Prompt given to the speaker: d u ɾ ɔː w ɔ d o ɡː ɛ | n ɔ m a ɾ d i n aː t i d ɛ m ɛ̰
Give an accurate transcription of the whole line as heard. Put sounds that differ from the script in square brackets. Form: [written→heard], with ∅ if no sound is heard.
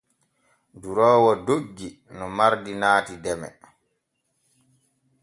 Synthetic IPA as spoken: d u ɾ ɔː w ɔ d o ɡː [ɛ→i] | n ɔ m a ɾ d i n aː t i d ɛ m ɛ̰